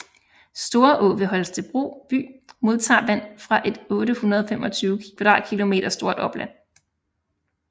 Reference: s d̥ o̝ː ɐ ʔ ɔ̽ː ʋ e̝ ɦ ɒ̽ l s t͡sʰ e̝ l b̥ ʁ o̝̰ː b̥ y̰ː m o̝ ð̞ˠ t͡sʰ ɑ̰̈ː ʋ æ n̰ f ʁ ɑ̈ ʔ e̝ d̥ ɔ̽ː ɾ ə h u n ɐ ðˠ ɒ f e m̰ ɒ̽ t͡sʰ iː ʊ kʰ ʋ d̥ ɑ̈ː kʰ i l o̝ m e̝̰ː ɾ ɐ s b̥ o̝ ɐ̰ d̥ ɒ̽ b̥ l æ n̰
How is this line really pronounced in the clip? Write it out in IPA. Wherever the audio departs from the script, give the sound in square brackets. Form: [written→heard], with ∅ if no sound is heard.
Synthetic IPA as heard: s d̥ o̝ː ɐ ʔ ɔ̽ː ʋ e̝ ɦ ɒ̽ l s t͡sʰ e̝ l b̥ ʁ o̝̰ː b̥ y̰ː m o̝ ð̞ˠ t͡sʰ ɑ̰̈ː ʋ æ n̰ f ʁ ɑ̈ ʔ e̝ d̥ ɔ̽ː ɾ ə h u n ɐ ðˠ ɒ f e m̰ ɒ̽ t͡sʰ [iː→yː] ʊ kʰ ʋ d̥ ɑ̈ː kʰ i l o̝ m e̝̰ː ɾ ɐ s [b̥→d̥] o̝ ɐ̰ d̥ ɒ̽ b̥ l æ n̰